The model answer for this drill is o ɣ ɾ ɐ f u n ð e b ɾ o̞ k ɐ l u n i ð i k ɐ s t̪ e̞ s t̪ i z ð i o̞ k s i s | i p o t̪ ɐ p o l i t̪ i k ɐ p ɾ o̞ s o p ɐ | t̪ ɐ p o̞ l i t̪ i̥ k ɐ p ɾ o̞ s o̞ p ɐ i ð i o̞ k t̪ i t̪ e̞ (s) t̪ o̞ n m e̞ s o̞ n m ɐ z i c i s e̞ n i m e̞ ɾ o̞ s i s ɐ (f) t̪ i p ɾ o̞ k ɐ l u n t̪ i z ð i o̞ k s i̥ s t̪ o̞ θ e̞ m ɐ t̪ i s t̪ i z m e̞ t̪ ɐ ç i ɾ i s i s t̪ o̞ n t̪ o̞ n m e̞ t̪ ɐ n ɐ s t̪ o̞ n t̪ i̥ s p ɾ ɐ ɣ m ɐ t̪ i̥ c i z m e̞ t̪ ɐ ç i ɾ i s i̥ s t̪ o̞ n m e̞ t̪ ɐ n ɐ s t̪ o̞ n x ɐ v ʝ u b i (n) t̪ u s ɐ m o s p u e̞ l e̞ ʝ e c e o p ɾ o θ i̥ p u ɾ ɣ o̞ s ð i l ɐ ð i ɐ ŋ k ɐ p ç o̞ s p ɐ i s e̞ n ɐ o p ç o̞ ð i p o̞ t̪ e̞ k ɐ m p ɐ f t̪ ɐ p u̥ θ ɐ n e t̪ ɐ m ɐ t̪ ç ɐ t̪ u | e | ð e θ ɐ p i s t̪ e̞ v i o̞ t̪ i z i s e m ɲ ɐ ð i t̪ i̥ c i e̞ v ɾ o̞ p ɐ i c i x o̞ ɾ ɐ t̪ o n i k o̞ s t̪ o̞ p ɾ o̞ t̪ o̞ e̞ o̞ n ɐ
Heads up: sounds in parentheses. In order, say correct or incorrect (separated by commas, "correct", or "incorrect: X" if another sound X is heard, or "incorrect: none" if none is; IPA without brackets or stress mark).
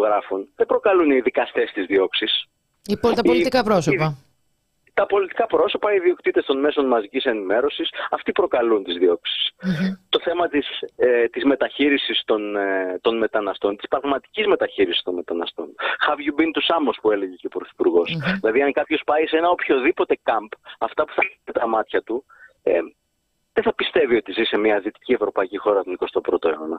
correct, correct, correct